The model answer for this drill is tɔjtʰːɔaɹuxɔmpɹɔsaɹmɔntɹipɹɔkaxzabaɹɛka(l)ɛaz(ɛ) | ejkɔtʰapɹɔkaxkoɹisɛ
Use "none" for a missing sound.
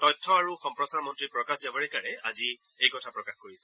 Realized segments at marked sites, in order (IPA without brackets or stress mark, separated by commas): ɹ, i